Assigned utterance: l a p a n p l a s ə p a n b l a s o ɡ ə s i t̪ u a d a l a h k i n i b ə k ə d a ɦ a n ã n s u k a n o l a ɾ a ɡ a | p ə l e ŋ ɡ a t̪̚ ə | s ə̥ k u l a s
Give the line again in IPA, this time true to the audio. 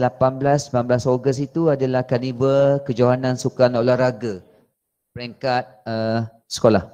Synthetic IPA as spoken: l a p a n b l a s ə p a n b l a s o ɡ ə s i t̪ u a d a l a h k a n i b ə k ə d͡ʒ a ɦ a n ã n s u k a n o l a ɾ a ɡ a | p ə ɾ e ŋ k a t̪̚ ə | s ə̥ k o l a h